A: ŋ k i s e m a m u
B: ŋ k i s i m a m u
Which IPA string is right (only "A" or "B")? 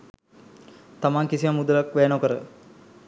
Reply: B